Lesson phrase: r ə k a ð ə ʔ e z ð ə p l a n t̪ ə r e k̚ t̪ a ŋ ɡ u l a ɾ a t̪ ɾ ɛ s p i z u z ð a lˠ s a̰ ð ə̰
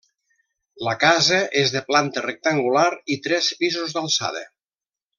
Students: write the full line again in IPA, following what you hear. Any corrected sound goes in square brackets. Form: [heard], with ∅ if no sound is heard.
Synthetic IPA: [l] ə k a [z] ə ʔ e z ð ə p l a n t̪ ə r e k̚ t̪ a ŋ ɡ u l a ɾ [i] t̪ ɾ ɛ s p i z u z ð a lˠ s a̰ ð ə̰